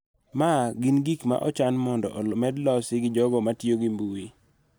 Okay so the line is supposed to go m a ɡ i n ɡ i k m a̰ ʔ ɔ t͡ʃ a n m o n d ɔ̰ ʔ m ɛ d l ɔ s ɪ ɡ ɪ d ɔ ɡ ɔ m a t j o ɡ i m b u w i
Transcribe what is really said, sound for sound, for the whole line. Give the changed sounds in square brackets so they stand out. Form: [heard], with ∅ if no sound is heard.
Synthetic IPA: m a ɡ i n ɡ i k m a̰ ʔ ɔ t͡ʃ a n m [ɔ] n d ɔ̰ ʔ m ɛ d l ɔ s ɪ ɡ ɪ [d͡ʒ] ɔ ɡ ɔ m a t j o ɡ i m b u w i